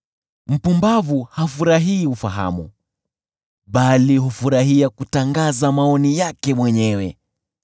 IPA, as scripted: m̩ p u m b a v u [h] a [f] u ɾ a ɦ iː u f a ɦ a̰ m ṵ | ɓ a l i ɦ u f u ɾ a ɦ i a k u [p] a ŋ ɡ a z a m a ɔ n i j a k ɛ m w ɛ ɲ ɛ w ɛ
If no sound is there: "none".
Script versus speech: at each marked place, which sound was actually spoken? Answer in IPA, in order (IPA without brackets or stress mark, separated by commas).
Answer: h, f, t